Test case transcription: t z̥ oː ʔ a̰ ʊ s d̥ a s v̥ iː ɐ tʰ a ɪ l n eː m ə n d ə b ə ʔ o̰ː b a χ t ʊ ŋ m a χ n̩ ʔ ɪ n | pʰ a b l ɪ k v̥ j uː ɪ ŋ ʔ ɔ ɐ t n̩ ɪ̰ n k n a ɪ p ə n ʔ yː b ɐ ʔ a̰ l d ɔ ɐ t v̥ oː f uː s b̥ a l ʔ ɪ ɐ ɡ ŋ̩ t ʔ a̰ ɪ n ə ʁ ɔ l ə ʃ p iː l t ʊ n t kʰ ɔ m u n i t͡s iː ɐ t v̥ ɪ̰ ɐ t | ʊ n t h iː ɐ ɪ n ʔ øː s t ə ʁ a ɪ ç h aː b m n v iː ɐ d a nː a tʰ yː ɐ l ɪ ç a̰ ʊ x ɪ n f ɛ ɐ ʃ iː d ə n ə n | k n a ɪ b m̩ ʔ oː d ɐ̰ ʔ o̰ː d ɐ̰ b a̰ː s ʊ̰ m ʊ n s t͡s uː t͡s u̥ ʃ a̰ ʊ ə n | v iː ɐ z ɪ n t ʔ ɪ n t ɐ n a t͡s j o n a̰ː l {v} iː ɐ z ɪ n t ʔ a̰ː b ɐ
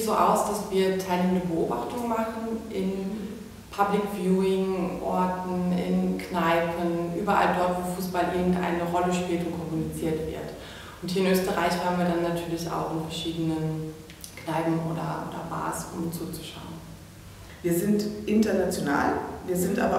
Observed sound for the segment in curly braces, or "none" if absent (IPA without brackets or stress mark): v